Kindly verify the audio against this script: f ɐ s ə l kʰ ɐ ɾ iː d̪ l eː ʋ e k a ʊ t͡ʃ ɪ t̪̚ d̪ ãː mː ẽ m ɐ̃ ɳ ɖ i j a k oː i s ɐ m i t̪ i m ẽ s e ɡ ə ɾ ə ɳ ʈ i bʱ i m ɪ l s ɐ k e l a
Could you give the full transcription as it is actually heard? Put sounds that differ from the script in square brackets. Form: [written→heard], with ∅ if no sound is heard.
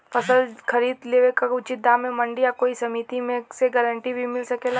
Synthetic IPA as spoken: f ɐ s ə l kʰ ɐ ɾ iː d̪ l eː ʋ e k a ʊ t͡ʃ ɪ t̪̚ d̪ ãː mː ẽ m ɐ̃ ɳ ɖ i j a k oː i s ɐ m i t̪ i m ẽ s e ɡ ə ɾ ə ɳ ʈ i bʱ i m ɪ l s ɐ k e l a